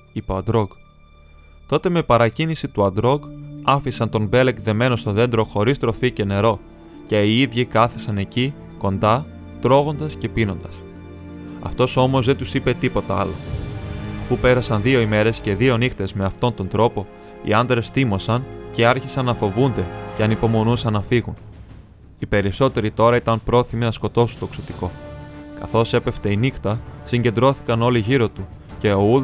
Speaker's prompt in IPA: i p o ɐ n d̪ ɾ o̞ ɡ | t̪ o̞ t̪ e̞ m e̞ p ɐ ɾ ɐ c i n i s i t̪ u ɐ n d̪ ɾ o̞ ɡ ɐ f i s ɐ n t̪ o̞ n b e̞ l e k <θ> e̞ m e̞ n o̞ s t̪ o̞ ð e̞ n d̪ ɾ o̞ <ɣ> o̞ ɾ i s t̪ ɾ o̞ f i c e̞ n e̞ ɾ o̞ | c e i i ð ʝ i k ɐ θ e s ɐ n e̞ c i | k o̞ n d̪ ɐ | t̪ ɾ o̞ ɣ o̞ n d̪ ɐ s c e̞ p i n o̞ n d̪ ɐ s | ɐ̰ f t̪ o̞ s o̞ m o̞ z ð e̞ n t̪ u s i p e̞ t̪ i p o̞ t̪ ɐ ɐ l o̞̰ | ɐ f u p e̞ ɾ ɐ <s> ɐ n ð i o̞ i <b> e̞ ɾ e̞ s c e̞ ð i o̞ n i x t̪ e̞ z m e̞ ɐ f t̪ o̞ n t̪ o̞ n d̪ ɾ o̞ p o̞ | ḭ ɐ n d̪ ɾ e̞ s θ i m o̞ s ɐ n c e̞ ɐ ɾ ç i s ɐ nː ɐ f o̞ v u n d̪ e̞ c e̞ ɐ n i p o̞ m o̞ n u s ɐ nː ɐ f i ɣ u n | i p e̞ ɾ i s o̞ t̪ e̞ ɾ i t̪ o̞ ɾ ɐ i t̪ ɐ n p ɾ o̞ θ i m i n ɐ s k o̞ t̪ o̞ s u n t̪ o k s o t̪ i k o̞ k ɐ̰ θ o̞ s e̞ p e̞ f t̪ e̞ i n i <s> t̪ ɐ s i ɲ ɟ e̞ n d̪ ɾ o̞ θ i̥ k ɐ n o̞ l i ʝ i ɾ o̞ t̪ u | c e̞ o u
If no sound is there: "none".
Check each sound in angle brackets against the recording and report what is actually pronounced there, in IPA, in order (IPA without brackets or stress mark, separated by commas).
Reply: ð, x, s, m, x